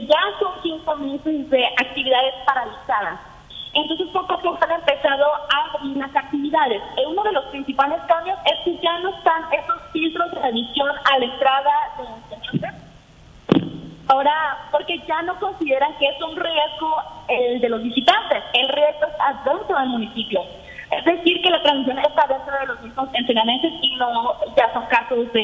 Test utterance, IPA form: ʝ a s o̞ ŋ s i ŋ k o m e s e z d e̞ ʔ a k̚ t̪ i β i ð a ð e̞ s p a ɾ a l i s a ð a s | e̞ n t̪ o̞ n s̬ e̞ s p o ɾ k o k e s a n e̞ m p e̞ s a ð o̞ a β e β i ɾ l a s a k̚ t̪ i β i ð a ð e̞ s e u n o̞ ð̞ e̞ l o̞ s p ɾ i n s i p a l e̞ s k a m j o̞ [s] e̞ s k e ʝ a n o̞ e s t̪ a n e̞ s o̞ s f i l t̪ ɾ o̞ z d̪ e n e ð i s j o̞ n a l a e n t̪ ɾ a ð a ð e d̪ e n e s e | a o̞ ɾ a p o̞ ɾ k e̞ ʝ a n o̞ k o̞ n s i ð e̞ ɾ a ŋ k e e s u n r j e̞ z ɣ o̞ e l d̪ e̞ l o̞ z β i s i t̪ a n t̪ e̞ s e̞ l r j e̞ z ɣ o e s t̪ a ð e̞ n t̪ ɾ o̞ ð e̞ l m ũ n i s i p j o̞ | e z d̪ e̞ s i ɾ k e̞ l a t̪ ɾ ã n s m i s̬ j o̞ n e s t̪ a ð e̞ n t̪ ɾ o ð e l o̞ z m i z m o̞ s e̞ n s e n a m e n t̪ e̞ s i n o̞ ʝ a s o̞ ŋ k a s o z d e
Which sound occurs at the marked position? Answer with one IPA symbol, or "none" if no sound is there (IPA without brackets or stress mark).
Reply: s